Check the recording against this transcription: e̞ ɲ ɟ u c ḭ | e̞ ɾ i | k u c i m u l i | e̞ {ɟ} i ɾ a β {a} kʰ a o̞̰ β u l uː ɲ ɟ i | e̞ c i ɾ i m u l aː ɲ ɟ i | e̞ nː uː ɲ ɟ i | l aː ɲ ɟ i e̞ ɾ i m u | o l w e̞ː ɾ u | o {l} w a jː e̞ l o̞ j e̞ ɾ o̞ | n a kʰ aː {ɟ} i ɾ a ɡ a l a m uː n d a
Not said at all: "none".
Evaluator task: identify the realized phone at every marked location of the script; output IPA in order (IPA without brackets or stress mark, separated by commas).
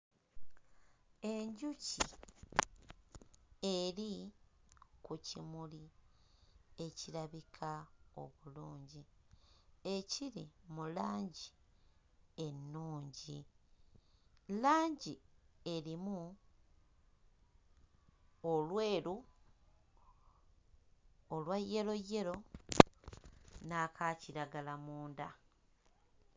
c, i, l, c